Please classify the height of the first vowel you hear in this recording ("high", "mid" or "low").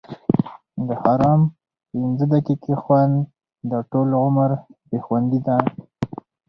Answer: mid